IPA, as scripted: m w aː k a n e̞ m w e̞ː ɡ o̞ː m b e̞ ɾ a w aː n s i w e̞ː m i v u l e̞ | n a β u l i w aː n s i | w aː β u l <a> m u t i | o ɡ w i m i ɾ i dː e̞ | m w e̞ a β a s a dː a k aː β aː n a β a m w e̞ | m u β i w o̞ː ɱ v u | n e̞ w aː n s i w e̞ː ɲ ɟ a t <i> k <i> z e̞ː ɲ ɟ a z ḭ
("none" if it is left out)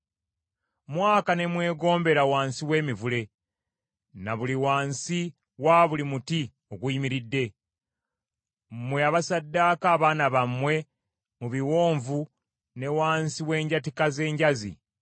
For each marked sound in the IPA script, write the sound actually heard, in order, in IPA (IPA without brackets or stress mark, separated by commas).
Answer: i, i, a